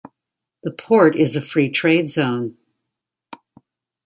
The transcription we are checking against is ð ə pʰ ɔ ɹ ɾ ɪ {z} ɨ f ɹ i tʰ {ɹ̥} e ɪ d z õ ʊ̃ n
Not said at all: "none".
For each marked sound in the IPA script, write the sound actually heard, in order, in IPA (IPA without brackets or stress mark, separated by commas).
z, ɹ̥